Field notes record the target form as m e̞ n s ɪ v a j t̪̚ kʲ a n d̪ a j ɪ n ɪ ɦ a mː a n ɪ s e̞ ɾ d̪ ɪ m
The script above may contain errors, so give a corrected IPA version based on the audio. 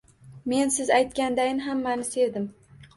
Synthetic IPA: m e̞ n s ɪ z a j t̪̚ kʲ a n d̪ a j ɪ n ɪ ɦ a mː a n ɪ s e̞ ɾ d̪ ɪ m